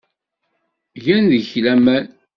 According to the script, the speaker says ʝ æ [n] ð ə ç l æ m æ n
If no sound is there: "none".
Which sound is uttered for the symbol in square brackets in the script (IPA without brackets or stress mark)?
n